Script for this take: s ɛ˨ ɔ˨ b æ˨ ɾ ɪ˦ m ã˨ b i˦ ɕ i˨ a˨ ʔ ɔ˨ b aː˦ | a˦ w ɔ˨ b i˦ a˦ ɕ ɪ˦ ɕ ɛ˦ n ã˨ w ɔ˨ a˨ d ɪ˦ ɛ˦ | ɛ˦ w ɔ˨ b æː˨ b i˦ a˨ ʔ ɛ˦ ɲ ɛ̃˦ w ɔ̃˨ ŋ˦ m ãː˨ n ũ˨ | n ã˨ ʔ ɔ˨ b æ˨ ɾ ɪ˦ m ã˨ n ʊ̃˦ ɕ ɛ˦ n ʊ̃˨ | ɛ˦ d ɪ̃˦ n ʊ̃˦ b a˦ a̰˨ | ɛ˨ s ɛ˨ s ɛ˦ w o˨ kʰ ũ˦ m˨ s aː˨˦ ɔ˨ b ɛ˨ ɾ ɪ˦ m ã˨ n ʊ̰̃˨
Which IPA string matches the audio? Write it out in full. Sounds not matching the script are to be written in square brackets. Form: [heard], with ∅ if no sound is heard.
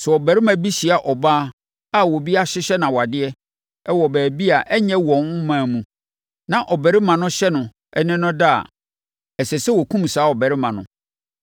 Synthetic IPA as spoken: s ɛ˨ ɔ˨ b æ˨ ɾ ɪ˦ m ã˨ b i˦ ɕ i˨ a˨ ʔ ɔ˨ b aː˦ | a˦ w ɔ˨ b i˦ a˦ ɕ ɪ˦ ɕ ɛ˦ n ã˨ w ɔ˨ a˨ d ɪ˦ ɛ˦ | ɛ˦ w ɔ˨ b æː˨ b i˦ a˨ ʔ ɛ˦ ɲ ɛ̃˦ w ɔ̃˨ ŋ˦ m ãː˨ [m] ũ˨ | n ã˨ ʔ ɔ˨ b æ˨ ɾ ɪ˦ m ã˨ n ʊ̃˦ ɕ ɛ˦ n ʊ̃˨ | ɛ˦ [n] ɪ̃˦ n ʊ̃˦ [d] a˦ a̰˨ | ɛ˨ s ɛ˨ s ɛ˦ w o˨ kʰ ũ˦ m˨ s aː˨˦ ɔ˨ b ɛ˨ ɾ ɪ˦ m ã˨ n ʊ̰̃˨

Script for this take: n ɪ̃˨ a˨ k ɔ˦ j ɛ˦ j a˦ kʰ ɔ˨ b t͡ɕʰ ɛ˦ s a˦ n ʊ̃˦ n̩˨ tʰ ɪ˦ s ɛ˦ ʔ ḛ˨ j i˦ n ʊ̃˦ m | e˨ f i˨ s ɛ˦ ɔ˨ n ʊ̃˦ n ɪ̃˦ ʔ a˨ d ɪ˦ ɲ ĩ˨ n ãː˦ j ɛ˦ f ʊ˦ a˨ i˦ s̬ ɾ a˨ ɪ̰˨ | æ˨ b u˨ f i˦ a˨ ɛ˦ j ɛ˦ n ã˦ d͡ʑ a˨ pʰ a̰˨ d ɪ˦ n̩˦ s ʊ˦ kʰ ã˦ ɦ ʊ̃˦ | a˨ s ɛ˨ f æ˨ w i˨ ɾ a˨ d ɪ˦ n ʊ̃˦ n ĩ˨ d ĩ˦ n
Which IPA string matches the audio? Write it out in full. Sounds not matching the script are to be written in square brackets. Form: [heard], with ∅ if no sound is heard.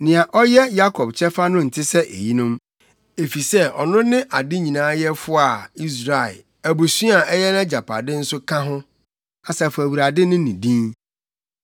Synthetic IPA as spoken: n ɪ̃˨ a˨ [ʔ] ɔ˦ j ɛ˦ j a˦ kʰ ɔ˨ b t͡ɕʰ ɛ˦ [f] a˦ n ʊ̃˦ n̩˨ tʰ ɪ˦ s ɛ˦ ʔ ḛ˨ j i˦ n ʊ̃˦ m | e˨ f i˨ s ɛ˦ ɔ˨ n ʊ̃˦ n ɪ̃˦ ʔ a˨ d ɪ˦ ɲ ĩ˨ n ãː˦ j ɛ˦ f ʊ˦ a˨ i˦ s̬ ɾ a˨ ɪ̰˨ | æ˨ b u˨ [s] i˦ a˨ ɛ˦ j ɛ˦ n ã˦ d͡ʑ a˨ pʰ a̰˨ d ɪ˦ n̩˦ s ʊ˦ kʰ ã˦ ɦ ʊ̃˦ | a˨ s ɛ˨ f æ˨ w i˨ ɾ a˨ d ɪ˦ n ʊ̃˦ n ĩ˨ d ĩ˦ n

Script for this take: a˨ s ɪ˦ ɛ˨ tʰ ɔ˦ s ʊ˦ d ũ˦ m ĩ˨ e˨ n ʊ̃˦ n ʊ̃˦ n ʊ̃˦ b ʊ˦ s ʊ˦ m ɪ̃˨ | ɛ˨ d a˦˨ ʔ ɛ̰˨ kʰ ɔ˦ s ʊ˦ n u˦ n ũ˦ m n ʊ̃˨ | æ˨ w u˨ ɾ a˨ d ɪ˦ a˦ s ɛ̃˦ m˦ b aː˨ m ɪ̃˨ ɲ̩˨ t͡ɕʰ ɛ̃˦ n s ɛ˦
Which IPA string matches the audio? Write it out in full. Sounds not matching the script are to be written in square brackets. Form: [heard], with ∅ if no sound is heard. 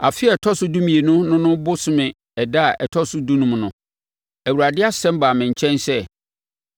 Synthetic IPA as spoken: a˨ [f] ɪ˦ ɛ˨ tʰ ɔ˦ s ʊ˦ d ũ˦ m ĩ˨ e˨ n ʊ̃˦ n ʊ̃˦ n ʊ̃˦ b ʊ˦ s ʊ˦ m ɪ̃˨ | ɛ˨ d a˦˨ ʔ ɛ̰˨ [tʰ] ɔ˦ s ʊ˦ [d] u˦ n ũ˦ m n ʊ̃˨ | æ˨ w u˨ ɾ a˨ d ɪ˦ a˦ s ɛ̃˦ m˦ b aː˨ m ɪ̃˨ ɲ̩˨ t͡ɕʰ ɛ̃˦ n s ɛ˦

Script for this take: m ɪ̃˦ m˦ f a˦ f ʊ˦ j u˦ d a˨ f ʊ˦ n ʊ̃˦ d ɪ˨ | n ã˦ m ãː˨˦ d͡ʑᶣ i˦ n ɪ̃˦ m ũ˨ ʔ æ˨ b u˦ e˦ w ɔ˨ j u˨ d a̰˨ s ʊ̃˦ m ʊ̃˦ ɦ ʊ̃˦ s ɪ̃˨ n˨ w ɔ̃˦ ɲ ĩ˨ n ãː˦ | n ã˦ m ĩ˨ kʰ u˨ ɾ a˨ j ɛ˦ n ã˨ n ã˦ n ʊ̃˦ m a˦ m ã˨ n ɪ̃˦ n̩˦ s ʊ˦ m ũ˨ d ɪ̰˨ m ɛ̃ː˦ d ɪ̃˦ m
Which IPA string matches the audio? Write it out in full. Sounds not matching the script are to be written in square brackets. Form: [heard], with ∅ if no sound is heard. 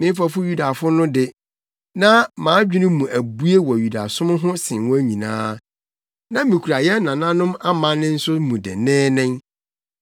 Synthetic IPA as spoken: m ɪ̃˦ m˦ f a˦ f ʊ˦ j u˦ d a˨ f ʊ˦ n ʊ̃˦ d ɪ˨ | n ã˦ m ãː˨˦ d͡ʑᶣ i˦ n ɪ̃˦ m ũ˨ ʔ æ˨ b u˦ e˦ w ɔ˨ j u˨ d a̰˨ s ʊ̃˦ m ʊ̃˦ ɦ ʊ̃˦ s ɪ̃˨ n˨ w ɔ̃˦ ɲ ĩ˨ n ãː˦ | n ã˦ m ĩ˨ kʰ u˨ ɾ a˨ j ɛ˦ n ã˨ n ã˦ n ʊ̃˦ m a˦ m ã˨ n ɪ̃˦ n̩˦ s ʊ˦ m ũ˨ d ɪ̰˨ [n] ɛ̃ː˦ [n] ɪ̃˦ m

